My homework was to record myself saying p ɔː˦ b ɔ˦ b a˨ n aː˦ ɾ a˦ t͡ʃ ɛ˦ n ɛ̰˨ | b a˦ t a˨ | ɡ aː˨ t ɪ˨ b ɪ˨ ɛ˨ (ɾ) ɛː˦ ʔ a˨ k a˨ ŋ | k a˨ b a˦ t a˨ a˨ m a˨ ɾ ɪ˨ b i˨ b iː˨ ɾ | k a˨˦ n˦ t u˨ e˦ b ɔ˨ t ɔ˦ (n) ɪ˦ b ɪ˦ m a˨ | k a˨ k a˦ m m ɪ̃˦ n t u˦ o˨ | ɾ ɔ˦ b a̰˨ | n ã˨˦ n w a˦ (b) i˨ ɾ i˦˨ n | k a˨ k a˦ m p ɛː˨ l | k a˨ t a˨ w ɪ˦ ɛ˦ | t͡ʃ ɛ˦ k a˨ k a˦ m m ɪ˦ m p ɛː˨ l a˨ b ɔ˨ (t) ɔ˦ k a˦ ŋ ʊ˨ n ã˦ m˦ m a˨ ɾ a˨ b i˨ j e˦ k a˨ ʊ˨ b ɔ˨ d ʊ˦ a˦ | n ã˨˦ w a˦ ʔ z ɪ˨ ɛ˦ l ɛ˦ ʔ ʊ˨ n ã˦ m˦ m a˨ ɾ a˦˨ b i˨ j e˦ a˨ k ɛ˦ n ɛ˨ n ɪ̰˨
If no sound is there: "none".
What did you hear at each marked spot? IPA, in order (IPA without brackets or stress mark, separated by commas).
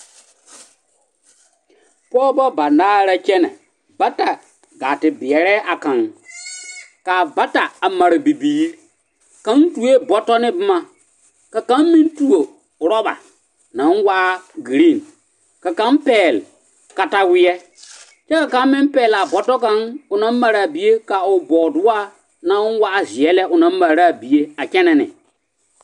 ɾ, n, ɡ, t